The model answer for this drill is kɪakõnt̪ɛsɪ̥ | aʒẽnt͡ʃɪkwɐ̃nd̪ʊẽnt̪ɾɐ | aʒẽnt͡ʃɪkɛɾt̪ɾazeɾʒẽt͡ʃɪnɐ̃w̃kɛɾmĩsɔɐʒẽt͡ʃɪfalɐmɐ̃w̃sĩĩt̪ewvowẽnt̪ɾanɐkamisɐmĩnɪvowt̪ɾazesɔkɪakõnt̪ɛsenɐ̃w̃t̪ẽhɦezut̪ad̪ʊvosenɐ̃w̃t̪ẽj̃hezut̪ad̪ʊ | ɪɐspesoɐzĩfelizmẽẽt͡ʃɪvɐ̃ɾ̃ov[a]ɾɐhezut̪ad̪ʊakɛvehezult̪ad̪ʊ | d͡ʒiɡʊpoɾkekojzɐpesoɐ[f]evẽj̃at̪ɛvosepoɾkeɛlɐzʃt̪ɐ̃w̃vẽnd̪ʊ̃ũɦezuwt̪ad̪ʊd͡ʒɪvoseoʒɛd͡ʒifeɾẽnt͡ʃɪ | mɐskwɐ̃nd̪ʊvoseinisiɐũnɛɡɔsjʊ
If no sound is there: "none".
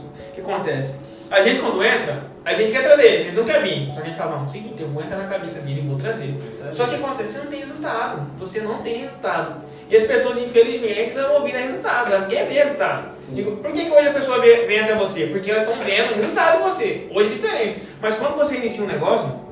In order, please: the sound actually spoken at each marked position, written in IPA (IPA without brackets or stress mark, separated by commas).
i, v